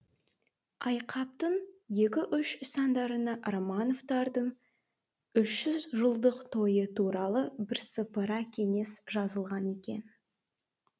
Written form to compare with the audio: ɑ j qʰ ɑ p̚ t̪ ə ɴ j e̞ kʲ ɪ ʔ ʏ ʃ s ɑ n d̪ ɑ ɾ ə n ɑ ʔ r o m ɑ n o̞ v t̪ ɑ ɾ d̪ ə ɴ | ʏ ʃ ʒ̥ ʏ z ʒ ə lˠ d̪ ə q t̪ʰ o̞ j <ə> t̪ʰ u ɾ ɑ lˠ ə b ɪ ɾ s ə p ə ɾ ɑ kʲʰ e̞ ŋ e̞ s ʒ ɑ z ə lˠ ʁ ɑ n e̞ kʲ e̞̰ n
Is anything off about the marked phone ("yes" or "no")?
no